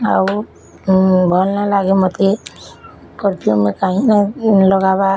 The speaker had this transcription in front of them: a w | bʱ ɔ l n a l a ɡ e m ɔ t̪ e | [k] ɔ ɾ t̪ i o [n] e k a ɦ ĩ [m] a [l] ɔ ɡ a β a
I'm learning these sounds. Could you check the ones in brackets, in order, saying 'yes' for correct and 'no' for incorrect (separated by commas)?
yes, no, no, yes